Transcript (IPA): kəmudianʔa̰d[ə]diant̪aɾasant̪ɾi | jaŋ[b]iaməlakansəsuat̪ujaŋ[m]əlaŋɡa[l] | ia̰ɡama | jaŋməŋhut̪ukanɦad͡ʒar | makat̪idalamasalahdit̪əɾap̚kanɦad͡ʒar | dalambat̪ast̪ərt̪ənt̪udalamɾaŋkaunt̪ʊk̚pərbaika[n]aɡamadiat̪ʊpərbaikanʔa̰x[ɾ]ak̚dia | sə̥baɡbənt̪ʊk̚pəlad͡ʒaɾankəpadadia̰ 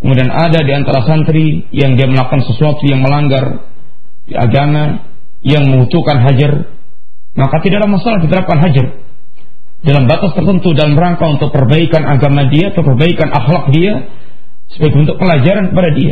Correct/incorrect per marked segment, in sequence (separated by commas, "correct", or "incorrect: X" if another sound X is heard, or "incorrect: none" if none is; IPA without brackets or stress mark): incorrect: a, incorrect: d, correct, incorrect: r, correct, incorrect: l